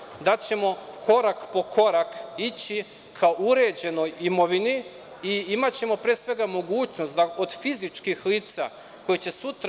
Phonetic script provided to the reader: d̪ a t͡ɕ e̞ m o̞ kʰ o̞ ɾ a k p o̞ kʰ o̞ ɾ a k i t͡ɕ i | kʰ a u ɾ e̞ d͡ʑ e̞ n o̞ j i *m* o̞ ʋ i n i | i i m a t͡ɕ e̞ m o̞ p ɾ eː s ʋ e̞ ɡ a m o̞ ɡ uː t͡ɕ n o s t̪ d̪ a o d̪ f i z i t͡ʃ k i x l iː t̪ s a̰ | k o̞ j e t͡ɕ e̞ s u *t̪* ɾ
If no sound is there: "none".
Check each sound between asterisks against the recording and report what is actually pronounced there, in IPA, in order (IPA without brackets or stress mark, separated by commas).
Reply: m, t̪